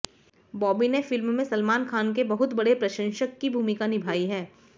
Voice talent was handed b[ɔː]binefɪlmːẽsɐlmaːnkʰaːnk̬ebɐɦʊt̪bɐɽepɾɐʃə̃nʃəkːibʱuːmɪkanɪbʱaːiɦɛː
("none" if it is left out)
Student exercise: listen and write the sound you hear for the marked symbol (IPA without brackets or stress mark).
ɔː